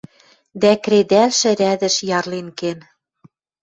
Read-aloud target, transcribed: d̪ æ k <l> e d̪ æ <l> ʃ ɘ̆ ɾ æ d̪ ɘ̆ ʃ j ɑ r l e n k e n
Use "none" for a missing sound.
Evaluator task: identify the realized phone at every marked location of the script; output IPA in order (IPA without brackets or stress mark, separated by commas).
ɾ, l